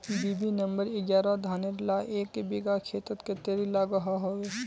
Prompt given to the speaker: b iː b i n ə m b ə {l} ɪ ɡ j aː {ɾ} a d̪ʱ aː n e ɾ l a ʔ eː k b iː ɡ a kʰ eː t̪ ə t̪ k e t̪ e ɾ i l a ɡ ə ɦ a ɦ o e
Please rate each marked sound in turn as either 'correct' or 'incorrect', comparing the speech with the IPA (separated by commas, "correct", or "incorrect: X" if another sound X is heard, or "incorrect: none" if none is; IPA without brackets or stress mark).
incorrect: ɾ, correct